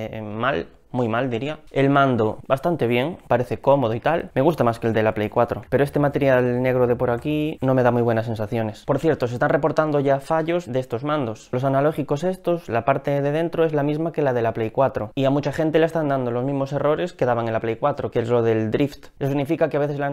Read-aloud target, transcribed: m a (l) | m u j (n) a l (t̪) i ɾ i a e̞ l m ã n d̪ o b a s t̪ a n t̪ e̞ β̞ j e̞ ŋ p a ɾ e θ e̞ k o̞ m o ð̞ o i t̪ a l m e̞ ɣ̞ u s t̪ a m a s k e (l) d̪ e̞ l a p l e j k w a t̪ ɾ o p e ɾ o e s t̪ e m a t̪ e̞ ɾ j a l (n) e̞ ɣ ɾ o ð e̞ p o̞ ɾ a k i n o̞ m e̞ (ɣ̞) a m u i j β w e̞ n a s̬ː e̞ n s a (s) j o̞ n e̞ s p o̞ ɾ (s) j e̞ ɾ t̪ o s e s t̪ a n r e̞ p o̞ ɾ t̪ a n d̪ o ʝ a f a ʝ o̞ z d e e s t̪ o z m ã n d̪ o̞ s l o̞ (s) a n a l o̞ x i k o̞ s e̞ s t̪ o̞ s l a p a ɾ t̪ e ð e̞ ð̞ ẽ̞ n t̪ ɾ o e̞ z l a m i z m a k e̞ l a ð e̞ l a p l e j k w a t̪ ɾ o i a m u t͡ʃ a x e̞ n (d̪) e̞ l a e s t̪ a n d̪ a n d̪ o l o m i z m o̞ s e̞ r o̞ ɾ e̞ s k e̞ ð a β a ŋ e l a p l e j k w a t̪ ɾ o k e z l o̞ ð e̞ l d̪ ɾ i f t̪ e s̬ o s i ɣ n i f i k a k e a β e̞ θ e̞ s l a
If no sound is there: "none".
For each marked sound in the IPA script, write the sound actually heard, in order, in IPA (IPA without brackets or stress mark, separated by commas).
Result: l, m, d̪, l, n, ð̞, θ, θ, s, t̪